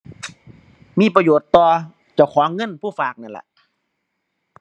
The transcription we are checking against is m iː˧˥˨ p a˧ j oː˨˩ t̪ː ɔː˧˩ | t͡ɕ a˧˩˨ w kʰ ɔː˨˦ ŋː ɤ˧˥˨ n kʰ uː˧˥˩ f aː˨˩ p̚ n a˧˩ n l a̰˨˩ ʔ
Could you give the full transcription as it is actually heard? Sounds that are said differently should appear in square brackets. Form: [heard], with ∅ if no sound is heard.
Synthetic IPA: m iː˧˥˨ p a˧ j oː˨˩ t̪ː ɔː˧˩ | t͡ɕ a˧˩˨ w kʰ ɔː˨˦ ŋː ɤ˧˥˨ n [pʰ] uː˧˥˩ f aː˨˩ [k̚] n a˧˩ n l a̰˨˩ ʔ